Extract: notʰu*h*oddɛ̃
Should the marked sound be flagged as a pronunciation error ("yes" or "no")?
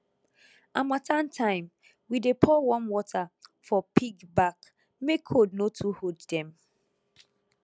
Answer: no